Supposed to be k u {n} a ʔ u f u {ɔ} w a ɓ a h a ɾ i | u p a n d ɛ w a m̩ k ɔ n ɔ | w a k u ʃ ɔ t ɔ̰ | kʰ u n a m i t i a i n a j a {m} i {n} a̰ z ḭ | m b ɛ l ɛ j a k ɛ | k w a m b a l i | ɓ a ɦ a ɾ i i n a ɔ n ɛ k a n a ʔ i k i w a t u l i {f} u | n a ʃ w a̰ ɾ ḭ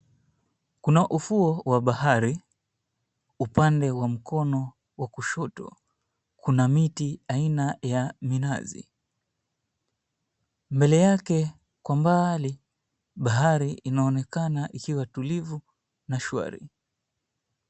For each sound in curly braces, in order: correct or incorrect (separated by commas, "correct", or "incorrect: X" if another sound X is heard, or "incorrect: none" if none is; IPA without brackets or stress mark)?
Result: correct, correct, correct, correct, incorrect: v